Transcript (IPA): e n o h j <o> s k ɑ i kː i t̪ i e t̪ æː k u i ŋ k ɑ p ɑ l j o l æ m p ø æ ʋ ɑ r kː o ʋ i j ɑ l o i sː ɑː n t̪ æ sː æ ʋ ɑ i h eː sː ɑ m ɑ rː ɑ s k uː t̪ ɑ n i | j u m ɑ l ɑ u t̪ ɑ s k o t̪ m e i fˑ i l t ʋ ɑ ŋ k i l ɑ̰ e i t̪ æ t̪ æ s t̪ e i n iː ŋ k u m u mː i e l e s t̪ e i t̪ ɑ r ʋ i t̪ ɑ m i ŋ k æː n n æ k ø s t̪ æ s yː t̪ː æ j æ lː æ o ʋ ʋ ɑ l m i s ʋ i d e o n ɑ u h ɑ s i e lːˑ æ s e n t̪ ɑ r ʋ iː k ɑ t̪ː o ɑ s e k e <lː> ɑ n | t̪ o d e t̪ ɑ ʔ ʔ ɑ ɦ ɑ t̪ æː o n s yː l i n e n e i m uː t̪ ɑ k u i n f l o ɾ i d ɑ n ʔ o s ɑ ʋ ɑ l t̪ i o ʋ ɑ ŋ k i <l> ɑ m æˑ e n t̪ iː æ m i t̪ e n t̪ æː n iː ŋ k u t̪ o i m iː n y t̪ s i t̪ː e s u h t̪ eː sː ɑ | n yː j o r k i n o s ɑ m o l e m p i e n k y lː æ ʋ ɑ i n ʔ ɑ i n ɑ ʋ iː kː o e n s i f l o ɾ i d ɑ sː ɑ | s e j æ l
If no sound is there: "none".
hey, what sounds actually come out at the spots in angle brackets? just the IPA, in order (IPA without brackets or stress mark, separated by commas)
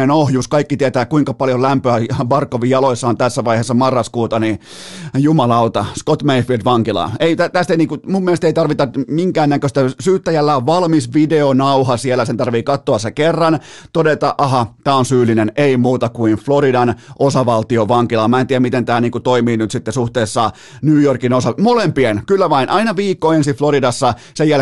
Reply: u, rː, l